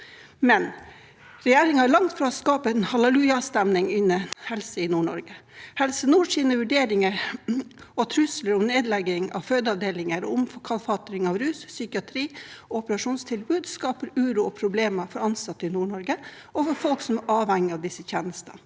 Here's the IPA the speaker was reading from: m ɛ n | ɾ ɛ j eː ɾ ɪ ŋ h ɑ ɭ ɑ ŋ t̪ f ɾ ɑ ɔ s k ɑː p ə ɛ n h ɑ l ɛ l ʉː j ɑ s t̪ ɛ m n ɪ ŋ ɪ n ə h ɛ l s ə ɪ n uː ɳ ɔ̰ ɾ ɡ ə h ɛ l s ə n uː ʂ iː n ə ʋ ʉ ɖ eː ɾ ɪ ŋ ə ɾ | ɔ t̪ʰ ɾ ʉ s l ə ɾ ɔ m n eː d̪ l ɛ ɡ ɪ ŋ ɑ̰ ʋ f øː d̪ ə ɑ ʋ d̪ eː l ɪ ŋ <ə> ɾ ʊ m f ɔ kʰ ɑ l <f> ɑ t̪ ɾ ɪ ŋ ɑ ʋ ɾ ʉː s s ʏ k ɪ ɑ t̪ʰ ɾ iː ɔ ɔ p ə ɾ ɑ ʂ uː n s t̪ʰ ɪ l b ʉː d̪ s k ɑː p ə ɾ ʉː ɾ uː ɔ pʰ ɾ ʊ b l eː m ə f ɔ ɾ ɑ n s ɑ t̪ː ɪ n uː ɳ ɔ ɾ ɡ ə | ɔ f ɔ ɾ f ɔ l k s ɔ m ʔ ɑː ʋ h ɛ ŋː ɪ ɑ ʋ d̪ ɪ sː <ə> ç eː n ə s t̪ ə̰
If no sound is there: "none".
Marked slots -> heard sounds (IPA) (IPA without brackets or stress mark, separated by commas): ə, f, ə